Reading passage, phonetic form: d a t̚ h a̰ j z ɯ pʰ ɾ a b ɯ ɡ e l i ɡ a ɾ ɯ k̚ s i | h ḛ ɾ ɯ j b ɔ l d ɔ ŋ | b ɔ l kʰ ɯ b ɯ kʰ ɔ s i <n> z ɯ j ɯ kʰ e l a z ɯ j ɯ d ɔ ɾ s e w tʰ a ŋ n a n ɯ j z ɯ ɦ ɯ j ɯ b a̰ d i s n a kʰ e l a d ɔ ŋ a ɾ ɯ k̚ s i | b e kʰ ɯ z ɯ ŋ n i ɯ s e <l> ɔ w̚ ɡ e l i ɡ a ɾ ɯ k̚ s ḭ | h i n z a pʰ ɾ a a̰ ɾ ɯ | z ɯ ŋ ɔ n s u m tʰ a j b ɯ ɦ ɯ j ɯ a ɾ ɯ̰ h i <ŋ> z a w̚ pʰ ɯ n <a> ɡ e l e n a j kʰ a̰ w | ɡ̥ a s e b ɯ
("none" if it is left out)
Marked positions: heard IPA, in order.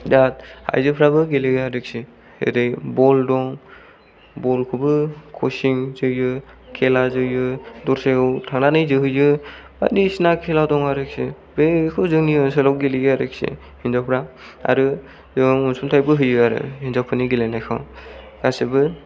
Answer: ŋ, l, n, i

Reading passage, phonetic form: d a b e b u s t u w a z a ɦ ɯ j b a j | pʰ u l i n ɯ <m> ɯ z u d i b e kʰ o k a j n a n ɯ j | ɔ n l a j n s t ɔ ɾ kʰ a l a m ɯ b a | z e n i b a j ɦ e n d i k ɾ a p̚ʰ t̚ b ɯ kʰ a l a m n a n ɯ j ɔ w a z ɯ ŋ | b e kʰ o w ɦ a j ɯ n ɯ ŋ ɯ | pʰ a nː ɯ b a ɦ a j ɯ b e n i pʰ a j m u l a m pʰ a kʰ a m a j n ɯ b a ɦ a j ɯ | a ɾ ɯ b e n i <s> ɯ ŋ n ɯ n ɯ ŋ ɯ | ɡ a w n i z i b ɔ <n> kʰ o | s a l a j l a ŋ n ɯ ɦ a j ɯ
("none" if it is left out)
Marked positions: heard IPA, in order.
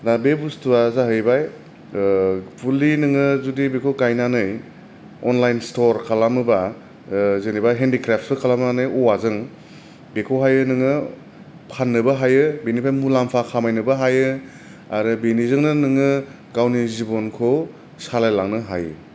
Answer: ŋ, z, n

